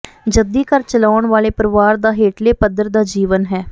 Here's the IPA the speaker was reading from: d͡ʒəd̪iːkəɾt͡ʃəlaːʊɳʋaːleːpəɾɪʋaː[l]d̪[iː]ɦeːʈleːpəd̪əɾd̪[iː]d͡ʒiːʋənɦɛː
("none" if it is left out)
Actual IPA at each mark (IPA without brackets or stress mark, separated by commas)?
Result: ɾ, aː, aː